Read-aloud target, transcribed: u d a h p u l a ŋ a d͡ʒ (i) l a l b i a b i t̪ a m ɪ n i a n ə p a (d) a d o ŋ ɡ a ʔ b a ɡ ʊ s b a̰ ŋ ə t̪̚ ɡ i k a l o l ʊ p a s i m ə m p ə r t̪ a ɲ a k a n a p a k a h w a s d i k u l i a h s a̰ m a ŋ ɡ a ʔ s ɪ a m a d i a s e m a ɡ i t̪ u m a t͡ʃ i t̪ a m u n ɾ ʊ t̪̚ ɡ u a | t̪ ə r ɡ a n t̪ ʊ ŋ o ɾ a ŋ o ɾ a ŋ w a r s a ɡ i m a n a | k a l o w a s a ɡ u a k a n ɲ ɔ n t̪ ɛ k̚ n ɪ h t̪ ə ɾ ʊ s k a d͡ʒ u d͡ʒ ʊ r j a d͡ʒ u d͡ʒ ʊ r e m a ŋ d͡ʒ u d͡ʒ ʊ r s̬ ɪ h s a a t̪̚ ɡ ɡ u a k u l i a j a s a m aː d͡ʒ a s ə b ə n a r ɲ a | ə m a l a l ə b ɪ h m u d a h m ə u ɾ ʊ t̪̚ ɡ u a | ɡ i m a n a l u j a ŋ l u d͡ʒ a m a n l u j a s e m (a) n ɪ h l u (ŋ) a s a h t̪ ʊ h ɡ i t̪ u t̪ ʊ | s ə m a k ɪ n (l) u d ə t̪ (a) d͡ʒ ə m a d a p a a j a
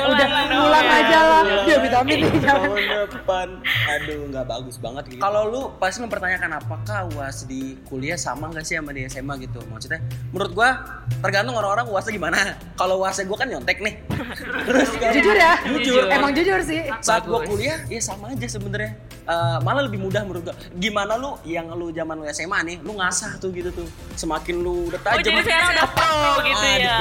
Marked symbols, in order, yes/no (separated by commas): no, no, yes, yes, yes, yes